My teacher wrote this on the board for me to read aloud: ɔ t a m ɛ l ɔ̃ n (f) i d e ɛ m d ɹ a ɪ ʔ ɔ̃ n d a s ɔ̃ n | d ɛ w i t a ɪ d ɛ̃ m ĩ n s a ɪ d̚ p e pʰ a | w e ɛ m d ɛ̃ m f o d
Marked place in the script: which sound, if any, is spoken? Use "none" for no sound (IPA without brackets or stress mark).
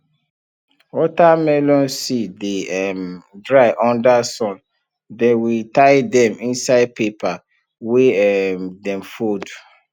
s